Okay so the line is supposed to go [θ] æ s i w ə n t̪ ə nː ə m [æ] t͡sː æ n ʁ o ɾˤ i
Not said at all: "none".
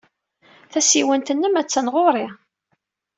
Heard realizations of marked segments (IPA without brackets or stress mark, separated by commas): θ, æ